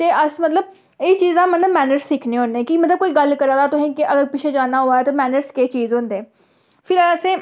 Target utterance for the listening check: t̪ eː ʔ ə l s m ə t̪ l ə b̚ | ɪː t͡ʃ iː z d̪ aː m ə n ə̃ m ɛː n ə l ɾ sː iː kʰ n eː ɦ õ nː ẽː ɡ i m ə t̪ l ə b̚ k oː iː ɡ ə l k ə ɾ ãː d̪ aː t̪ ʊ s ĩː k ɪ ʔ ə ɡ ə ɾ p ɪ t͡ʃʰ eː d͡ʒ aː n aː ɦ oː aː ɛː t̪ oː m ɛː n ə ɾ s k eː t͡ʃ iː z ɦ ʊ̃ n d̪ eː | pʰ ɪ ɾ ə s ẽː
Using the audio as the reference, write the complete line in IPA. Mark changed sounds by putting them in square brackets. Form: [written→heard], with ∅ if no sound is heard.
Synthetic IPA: t̪ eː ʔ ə [l→∅] s m ə t̪ l ə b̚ | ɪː t͡ʃ iː z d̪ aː m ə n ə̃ m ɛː n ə [l→∅] ɾ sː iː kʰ n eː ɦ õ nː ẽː [ɡ→k] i m ə t̪ l ə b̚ k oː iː ɡ ə l k ə ɾ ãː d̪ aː t̪ ʊ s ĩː k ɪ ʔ ə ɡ ə ɾ p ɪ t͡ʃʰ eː d͡ʒ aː n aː ɦ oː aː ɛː t̪ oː m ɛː n ə ɾ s k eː t͡ʃ iː z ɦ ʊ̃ n d̪ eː | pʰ ɪ ɾ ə s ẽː